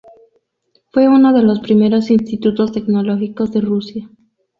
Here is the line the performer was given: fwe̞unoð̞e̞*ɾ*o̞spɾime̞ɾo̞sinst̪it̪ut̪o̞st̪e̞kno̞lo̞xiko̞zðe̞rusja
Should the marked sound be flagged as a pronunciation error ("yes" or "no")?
yes